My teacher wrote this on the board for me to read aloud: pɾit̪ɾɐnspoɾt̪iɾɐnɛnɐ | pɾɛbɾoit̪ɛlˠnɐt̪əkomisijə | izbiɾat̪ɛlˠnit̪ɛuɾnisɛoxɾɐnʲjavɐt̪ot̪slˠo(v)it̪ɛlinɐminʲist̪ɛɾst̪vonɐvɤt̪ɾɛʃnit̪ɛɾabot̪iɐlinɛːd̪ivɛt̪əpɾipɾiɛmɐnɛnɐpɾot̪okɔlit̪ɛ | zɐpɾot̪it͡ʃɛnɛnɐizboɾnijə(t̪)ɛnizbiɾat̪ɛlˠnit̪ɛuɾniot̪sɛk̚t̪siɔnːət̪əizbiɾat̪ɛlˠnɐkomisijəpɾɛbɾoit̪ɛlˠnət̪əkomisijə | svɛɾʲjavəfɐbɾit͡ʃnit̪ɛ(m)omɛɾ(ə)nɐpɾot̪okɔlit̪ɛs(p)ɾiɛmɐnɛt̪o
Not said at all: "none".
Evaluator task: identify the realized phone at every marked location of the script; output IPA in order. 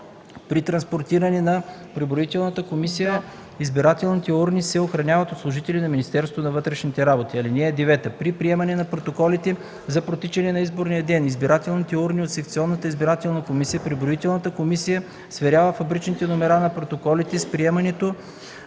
ʒ, d̪, n, a, p

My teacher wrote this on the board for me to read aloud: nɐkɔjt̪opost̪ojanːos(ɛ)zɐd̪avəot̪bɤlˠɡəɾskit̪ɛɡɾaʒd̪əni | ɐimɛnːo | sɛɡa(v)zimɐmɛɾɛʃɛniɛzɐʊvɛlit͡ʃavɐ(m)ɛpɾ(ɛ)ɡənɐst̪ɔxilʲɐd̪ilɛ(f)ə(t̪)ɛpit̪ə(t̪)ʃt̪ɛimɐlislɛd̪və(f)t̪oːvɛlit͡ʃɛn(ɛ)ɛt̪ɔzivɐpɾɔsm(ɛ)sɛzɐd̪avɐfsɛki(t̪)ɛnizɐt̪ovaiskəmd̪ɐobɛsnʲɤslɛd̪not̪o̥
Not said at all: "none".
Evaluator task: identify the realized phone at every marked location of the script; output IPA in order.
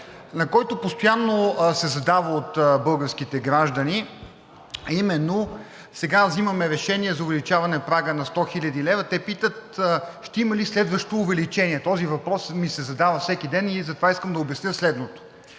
ɛ, v, n, a, v, t̪, t̪, ʃ, i, i, d̪

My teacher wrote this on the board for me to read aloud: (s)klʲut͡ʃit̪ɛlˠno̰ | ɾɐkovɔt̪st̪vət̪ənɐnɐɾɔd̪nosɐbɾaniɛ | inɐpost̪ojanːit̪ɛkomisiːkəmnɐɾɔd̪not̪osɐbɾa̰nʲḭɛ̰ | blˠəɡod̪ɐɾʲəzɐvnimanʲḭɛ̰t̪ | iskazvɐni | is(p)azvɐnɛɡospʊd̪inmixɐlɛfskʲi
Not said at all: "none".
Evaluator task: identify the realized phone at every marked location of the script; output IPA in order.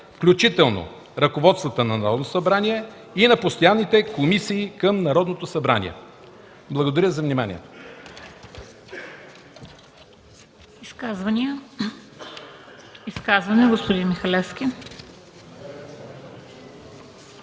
f, k

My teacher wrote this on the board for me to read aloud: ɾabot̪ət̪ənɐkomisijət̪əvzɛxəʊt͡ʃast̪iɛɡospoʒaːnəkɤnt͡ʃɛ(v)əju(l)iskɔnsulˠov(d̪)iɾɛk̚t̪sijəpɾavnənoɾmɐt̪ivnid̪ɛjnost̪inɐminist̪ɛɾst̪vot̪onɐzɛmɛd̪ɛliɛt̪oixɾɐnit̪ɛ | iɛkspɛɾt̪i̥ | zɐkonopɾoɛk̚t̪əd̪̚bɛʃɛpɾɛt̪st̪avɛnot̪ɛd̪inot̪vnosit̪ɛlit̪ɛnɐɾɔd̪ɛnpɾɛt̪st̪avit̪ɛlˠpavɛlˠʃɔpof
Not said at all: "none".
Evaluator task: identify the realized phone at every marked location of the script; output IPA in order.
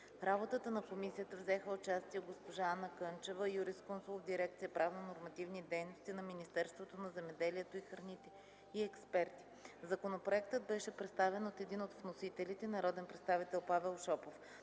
v, ɾ, d̪

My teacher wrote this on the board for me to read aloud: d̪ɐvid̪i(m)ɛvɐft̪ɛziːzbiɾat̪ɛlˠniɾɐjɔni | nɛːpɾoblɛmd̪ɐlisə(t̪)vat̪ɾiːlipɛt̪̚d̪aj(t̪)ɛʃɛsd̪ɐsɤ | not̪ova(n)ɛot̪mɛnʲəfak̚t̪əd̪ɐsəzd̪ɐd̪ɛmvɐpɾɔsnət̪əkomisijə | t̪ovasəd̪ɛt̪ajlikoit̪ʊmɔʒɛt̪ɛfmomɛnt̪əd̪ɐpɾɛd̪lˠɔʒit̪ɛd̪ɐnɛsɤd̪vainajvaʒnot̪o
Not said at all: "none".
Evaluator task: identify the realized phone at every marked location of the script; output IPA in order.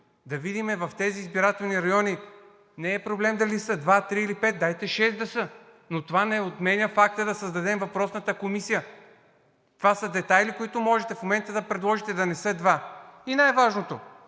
m, d̪, t̪, n

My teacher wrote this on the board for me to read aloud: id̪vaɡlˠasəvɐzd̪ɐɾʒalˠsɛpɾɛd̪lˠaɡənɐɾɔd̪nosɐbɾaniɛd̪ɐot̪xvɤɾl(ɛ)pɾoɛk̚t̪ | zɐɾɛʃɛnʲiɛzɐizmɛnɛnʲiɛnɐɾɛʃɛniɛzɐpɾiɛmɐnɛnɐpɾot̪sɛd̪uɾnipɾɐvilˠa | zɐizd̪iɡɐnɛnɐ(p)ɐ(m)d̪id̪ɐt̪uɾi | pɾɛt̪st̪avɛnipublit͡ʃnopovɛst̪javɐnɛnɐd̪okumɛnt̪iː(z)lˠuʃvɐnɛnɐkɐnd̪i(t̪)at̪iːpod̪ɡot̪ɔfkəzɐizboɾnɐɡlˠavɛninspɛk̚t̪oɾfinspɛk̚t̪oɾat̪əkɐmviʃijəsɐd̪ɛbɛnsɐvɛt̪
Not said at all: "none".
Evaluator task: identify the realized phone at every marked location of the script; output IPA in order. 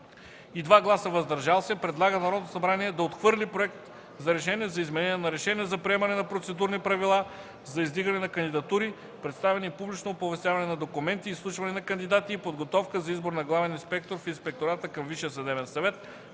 i, k, n, s, d̪

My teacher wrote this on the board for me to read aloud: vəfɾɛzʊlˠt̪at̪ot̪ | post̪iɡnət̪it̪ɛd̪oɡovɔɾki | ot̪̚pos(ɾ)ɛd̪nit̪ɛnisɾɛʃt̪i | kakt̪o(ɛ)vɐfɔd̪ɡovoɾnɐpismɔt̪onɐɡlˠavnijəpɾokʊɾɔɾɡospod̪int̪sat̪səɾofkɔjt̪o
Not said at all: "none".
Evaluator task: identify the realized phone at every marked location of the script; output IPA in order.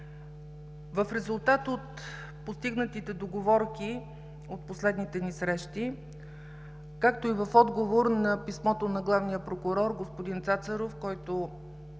l, i

